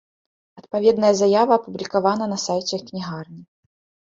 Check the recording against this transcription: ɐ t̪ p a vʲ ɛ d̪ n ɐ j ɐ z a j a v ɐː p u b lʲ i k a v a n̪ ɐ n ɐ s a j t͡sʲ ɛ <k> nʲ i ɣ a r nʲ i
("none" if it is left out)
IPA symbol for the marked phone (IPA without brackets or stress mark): k